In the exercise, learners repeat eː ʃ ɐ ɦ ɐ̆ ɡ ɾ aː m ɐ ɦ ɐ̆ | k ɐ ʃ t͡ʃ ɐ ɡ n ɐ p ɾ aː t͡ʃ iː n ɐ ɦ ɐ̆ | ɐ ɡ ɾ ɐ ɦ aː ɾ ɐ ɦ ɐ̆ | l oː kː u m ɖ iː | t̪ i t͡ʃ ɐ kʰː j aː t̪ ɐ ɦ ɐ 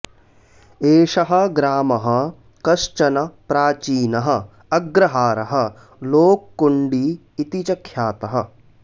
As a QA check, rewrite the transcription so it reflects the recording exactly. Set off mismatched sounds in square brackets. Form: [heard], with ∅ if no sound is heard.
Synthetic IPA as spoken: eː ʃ ɐ ɦ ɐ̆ ɡ ɾ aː m ɐ ɦ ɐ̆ | k ɐ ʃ t͡ʃ ɐ [∅] n ɐ p ɾ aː t͡ʃ iː n ɐ ɦ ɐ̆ | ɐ ɡ ɾ ɐ ɦ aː ɾ ɐ ɦ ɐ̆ | l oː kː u [ɳ] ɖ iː | t̪ i t͡ʃ ɐ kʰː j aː t̪ ɐ ɦ ɐ